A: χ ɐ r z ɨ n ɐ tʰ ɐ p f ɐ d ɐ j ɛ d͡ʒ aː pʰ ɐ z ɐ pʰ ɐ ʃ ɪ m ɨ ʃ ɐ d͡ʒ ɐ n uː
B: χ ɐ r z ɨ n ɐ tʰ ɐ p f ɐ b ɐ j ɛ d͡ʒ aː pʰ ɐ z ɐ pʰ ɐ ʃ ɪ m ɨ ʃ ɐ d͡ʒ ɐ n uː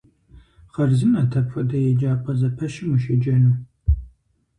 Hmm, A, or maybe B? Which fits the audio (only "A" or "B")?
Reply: A